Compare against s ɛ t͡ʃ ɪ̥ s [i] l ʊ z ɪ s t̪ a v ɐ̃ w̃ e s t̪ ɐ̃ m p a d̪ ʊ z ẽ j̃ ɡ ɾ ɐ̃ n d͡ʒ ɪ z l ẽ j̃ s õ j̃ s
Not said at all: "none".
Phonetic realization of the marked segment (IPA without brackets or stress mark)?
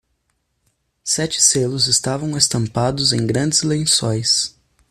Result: e